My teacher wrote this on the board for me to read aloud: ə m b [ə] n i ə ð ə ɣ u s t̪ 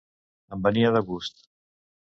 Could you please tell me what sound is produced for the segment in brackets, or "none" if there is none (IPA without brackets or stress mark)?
ə